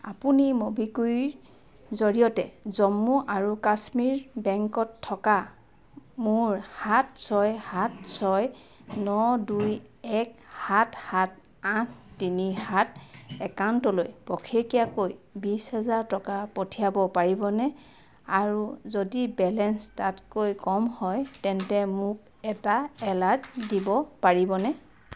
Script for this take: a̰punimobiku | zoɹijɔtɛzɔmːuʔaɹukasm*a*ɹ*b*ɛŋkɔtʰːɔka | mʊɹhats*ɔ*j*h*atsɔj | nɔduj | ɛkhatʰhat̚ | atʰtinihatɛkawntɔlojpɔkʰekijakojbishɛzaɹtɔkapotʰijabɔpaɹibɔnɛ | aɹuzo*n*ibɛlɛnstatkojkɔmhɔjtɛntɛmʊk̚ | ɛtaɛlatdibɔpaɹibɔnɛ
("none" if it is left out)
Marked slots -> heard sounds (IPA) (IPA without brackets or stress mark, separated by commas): i, b, ɔ, h, d